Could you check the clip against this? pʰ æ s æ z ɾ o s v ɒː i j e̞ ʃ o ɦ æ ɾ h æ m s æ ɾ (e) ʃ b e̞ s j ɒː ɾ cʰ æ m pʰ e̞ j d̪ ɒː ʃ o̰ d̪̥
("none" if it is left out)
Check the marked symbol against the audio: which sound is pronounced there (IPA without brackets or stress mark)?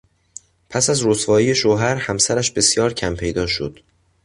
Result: æ